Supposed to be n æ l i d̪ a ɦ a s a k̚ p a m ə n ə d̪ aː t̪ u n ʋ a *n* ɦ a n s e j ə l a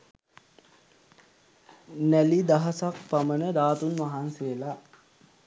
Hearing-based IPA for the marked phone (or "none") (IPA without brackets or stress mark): none